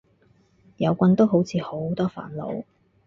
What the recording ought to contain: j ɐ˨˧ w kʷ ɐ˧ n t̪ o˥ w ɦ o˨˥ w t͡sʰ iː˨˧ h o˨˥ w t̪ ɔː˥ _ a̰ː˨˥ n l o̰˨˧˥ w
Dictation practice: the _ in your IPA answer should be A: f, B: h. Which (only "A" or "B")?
A